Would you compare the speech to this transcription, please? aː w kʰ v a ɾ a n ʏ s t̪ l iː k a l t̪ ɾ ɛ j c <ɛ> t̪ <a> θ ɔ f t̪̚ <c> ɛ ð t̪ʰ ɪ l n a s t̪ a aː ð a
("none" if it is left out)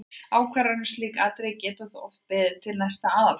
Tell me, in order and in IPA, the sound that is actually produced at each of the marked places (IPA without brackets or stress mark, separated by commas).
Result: ɛː, a, p